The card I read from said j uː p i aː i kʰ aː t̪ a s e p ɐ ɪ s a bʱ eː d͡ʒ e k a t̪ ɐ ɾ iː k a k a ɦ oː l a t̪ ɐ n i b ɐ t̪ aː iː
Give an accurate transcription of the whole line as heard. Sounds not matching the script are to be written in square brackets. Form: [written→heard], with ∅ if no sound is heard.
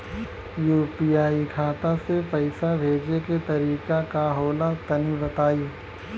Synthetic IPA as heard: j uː p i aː i kʰ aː t̪ a s e p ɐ ɪ s a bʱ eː d͡ʒ e k [a→e] t̪ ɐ ɾ iː k a k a ɦ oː l a t̪ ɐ n i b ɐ t̪ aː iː

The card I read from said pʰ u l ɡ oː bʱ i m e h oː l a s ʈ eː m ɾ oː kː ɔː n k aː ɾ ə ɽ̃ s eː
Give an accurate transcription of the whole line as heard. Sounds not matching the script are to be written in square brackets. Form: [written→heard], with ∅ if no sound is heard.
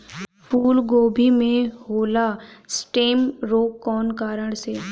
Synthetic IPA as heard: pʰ [u→uː] l ɡ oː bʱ i m [e→ẽ] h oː l a s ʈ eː m ɾ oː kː ɔː n k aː ɾ ə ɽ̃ s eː

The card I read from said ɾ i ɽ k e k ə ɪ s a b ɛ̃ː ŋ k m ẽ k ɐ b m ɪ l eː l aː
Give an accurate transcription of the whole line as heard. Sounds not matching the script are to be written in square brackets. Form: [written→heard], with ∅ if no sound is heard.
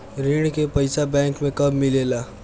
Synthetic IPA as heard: ɾ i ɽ k e [k→p] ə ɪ s a b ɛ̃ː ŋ k m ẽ k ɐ b m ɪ l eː l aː

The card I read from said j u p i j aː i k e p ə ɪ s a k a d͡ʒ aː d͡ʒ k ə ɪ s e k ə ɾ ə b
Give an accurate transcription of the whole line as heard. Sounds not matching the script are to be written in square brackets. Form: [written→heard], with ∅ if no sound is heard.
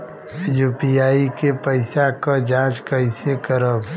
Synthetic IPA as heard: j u p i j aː i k e p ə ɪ s a k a d͡ʒ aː d͡ʒ k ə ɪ s e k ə ɾ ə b

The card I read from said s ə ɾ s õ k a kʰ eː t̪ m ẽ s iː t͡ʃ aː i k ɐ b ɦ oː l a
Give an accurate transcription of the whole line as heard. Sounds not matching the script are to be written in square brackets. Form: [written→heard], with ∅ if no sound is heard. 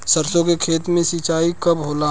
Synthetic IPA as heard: s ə ɾ s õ k [a→e] kʰ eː t̪ m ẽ s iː t͡ʃ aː i k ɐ b ɦ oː l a

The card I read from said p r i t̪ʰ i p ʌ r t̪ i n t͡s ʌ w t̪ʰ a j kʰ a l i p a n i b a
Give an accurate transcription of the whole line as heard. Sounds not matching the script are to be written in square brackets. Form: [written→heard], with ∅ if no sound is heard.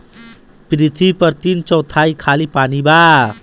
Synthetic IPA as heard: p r i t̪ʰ i p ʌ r t̪ i n t͡s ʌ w t̪ʰ a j kʰ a l i p a n i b a

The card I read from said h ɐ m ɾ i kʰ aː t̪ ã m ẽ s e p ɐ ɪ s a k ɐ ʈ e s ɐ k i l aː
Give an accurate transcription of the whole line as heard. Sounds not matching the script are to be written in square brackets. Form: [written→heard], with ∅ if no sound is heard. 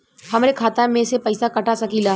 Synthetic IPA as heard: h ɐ m ɾ [i→e] kʰ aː t̪ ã m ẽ s e p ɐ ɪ s a k ɐ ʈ [e→a] s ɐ k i l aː

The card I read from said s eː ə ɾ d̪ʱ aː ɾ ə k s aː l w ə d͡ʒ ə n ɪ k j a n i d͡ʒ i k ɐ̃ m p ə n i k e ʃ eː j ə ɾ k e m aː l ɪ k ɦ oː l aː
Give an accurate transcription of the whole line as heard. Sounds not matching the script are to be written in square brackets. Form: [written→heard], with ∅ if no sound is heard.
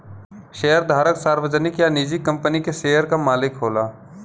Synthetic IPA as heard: [s→ʃ] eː ə ɾ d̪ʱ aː ɾ ə k s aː [l→ɾ] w ə d͡ʒ ə n ɪ k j a n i d͡ʒ i k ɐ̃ m p ə n i k e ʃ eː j ə ɾ k [e→a] m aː l ɪ k ɦ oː l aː

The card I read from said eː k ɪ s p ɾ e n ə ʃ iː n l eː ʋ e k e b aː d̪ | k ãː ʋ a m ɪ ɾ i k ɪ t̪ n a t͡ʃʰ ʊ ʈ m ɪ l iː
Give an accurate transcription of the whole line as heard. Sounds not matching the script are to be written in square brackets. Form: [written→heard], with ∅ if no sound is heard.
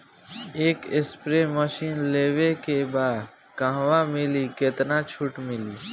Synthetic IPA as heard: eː k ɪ s p ɾ e [n→m] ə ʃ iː n l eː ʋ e k e b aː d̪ | k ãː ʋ a m ɪ [ɾ→l] i k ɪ t̪ n a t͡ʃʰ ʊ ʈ m ɪ l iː

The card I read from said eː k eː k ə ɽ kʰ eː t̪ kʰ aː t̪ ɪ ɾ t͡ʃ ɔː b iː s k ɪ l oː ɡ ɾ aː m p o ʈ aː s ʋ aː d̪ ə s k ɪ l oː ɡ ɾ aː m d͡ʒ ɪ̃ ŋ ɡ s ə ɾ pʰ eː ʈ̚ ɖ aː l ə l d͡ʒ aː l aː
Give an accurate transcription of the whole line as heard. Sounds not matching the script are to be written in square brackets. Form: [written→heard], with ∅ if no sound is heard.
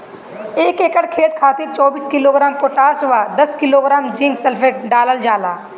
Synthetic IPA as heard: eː k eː k ə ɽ kʰ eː t̪ kʰ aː t̪ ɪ ɾ t͡ʃ ɔː b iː s k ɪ l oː ɡ ɾ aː m p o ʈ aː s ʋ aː d̪ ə s k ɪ l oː ɡ ɾ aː m d͡ʒ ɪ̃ ŋ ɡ s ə [ɾ→l] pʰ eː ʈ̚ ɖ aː l ə l d͡ʒ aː l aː

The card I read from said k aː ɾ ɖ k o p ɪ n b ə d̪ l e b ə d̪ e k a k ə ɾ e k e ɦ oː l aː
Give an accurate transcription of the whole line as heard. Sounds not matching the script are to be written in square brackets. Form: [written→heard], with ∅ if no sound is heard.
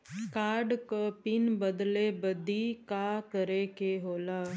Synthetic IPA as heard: k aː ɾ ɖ k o p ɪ n b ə d̪ l e b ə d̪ [e→i] k a k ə ɾ e k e ɦ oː l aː

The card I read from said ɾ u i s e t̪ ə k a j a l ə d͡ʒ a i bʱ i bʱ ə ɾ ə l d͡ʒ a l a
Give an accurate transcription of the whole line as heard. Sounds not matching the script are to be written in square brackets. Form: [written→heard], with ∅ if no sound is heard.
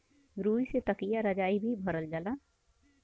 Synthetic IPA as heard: ɾ u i s e t̪ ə k [a→i] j a [l→ɾ] ə d͡ʒ a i bʱ i bʱ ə ɾ ə l d͡ʒ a l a

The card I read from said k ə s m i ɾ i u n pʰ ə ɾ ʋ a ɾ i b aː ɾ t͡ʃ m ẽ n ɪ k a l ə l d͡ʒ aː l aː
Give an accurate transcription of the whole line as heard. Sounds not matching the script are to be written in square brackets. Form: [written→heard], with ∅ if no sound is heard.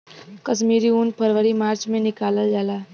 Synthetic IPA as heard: k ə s m i ɾ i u n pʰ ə ɾ ʋ [a→ə] ɾ i [b→m] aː ɾ t͡ʃ m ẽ n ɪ k a l ə l d͡ʒ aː l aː

